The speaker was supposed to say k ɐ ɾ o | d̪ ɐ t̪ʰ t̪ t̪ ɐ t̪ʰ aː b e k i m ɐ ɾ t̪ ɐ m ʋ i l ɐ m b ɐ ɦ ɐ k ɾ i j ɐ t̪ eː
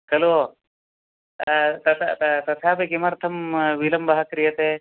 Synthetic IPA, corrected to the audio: k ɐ l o | t̪ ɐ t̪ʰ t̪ t̪ ɐ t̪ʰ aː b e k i m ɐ ɾ t̪ʰ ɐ m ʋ i l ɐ m b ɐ ɦ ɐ k ɾ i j ɐ t̪ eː